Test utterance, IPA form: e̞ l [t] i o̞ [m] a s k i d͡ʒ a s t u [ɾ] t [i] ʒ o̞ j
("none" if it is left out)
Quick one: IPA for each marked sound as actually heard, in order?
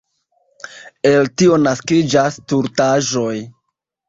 t, n, ɾ, a

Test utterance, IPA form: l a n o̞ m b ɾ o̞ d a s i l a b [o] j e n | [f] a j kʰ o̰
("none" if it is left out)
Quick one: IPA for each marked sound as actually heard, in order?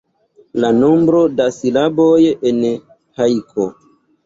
o, h

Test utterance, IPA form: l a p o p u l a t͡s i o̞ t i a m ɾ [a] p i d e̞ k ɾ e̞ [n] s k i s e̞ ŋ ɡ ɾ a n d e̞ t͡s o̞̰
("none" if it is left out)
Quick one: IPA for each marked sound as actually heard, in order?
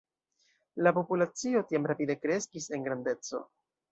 a, none

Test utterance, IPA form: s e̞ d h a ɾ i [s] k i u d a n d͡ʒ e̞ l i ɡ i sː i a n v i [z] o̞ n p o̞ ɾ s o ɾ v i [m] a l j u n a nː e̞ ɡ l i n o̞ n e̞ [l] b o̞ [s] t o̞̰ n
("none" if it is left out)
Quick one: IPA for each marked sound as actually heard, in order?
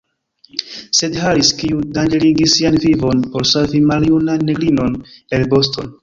s, v, m, l, s

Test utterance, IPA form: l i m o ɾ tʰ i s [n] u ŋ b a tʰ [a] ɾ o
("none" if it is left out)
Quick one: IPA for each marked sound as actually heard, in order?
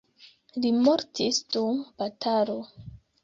d, a

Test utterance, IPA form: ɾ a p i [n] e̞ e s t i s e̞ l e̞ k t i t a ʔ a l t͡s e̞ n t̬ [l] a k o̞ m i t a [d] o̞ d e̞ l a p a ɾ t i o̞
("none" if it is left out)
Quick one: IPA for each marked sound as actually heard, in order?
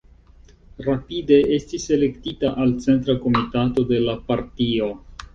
d, ɾ, t

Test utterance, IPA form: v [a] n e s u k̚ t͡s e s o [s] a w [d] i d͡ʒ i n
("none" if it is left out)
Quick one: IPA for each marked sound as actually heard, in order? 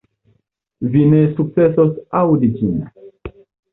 i, s, d

